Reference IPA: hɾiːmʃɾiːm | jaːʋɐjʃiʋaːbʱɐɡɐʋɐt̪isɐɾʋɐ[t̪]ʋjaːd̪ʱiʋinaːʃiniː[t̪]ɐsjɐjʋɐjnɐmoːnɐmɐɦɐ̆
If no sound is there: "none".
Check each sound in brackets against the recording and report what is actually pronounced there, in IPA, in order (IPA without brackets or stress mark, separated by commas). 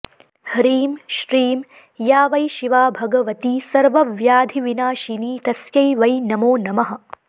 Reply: none, t̪